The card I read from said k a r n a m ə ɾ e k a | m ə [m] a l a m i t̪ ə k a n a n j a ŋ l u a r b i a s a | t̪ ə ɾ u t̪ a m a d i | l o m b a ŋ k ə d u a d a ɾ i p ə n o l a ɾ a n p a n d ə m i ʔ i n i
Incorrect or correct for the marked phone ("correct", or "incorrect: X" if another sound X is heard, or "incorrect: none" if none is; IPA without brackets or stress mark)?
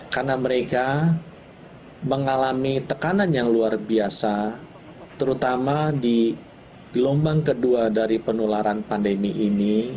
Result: incorrect: ŋ